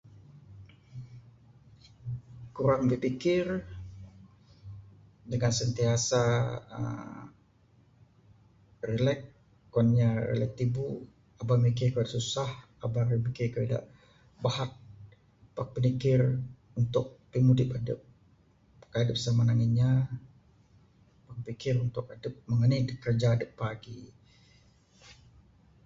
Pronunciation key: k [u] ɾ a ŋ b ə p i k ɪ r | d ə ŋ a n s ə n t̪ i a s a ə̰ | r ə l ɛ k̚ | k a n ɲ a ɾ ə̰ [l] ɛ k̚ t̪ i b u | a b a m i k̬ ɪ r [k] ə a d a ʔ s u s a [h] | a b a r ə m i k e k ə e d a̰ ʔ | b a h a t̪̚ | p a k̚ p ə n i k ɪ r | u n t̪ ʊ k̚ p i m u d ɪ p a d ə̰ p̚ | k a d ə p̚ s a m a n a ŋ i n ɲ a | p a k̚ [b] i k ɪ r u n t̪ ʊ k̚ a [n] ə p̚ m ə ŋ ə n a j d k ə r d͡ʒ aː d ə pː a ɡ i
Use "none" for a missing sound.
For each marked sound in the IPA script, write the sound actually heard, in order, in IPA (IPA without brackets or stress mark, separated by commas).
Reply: u, l, k, h, p, d